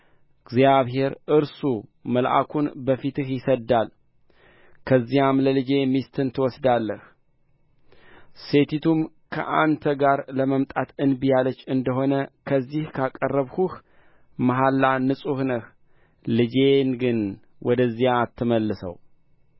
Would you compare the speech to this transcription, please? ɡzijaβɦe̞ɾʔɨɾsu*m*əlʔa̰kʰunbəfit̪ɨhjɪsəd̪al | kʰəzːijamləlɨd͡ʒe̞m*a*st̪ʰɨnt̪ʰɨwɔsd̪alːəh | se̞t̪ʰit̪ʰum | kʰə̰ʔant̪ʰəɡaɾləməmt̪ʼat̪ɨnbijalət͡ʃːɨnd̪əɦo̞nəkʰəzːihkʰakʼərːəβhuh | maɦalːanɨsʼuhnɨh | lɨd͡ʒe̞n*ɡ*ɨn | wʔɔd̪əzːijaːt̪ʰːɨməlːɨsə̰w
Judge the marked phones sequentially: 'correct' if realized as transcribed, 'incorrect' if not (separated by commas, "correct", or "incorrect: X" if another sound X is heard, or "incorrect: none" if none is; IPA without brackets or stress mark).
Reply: correct, incorrect: i, correct